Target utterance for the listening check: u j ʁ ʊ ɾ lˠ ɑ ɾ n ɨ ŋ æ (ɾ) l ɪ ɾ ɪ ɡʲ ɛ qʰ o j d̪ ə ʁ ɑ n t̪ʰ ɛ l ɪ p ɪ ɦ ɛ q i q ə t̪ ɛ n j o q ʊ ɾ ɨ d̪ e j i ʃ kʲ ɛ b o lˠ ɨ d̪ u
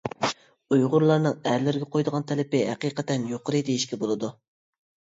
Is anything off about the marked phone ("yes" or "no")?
no